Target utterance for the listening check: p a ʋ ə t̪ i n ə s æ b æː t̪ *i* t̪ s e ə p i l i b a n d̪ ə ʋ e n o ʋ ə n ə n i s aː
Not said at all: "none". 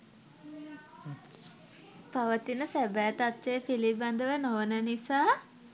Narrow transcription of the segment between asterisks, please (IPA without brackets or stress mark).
a